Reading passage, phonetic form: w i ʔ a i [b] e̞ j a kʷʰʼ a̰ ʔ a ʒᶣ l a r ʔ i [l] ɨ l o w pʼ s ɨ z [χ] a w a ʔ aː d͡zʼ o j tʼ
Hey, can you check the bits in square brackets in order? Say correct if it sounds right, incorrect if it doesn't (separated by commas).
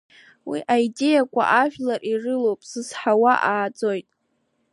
incorrect, incorrect, incorrect